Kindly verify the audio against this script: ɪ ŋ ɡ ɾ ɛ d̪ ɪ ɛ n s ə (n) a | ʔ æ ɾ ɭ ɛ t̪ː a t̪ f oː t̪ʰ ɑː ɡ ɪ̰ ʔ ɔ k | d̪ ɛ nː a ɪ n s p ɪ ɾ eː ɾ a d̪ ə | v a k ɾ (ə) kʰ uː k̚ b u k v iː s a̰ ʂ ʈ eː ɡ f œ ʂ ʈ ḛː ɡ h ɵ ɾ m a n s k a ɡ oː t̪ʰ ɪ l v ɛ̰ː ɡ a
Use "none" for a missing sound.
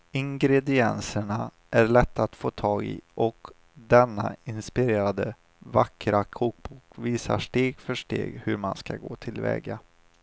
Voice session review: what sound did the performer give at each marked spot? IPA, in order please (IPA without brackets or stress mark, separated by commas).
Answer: ɳ, a